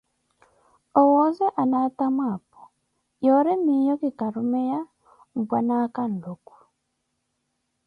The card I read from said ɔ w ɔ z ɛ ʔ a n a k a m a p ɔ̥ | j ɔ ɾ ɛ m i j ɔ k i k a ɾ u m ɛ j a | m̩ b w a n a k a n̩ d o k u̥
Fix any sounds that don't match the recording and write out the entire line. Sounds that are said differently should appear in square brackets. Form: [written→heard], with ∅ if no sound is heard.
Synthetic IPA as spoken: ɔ w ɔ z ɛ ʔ a n a [k→t] a m a p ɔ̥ | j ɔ ɾ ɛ m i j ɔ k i k a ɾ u m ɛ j a | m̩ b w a n a k a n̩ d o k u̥